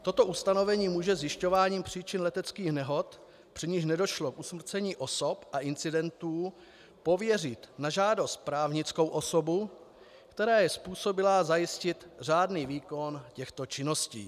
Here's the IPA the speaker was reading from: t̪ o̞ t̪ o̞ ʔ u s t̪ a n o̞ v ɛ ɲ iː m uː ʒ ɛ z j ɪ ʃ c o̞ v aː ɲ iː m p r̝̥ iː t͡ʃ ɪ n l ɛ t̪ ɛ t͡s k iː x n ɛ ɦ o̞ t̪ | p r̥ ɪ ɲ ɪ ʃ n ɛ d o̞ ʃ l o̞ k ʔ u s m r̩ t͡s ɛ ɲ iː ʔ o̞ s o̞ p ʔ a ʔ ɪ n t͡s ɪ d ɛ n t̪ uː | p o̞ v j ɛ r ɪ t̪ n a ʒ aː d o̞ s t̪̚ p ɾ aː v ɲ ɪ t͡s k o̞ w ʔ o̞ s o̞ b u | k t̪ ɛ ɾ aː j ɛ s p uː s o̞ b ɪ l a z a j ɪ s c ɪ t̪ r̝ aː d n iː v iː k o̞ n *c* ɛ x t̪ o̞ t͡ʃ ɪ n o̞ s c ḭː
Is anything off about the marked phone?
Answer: no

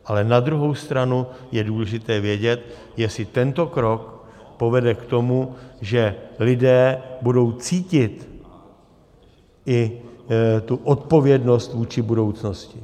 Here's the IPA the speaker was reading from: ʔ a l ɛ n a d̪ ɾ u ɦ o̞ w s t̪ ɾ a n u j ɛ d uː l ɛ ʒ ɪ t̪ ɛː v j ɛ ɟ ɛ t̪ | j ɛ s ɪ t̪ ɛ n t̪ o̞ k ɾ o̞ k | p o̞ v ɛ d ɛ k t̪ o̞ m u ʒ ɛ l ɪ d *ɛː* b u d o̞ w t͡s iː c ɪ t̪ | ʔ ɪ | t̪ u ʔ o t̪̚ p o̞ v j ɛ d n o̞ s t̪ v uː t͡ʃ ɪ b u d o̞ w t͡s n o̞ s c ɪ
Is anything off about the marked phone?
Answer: no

